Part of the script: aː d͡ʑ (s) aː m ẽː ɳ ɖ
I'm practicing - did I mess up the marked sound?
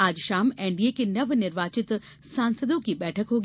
yes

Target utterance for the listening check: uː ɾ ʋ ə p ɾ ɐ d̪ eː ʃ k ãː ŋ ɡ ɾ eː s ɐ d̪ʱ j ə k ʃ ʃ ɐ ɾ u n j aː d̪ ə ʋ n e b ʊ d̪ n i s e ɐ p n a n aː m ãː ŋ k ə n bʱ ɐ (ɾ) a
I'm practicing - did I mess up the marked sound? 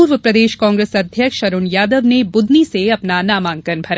no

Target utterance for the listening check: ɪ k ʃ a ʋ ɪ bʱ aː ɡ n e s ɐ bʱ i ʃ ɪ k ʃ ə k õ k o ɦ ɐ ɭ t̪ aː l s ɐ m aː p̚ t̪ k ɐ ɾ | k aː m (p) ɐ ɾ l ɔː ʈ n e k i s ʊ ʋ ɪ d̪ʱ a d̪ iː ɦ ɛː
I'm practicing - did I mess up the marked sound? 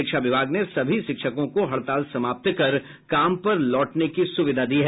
no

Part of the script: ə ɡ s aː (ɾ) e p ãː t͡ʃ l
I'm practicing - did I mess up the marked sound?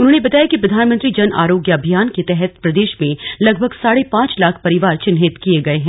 yes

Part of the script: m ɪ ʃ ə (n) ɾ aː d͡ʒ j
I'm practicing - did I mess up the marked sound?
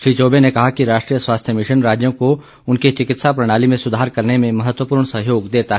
no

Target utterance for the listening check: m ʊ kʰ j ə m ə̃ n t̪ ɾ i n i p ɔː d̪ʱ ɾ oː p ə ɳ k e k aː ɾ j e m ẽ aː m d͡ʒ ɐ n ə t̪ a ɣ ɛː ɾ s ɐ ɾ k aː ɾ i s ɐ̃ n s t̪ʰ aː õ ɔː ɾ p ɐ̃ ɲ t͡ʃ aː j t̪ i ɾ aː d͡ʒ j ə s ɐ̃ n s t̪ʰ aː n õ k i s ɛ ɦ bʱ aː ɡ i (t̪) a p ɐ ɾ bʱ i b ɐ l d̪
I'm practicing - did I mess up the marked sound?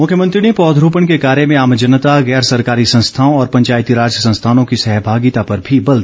no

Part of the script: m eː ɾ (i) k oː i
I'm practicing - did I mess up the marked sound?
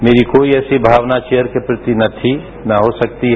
no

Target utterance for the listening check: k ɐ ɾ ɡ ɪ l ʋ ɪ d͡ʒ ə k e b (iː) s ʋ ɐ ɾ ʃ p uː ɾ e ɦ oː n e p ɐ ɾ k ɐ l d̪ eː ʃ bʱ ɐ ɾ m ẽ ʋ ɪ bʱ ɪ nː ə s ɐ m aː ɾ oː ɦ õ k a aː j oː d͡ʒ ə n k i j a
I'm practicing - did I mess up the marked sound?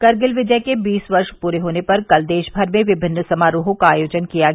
no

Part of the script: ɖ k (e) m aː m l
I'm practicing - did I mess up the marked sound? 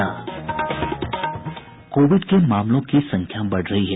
no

